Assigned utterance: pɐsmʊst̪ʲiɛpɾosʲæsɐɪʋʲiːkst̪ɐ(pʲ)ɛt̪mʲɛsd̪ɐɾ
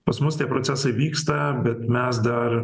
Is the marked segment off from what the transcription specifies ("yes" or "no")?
yes